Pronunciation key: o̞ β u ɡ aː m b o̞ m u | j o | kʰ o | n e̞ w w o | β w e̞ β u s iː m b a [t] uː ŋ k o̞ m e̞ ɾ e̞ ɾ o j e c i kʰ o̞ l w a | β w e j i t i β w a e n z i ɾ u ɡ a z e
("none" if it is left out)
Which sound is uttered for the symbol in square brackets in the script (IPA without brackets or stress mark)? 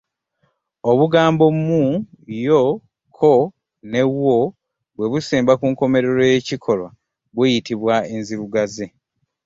k